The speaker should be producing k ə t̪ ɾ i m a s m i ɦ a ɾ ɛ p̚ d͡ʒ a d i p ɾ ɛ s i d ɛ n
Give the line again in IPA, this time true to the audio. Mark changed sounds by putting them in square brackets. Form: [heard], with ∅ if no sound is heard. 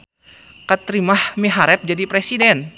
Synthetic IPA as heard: k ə t̪ ɾ i m a [h] m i ɦ a ɾ ɛ p̚ d͡ʒ a d i p ɾ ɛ s i d ɛ n